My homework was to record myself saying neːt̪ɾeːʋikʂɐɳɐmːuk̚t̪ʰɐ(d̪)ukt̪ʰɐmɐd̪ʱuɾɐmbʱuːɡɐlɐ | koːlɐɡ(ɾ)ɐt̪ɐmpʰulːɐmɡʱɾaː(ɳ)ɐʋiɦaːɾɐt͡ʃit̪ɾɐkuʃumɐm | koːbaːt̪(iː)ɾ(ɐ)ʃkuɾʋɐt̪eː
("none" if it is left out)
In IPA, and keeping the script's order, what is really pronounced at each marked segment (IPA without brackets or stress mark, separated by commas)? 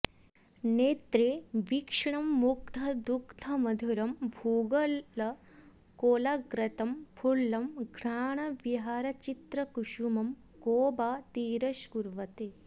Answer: d̪, ɾ, ɳ, iː, ɐ